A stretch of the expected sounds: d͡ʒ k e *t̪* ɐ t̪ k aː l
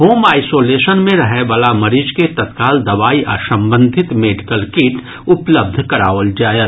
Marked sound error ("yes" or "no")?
no